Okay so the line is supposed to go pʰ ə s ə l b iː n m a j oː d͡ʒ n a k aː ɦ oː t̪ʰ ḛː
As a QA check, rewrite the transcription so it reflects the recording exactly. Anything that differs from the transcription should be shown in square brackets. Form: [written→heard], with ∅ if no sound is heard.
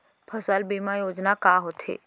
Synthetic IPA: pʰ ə s ə l b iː [n→∅] m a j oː d͡ʒ n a k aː ɦ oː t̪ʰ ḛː